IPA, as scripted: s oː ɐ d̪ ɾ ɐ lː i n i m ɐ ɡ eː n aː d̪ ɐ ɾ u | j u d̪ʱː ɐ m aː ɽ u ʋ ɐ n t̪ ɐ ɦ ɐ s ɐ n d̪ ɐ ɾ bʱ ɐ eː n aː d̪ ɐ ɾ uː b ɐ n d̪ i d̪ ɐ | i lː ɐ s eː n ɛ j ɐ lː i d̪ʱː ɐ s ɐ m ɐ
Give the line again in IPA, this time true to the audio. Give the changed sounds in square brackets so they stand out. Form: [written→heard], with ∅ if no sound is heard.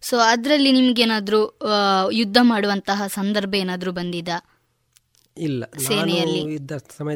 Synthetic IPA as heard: s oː ɐ d̪ ɾ ɐ lː i n i m ɐ ɡ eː n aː d̪ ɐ ɾ u | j u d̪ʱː ɐ m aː ɽ u ʋ ɐ n t̪ ɐ ɦ ɐ s ɐ n d̪ ɐ ɾ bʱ ɐ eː n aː d̪ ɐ ɾ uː b ɐ n d̪ i d̪ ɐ | i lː ɐ s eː n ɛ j ɐ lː i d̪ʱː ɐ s ɐ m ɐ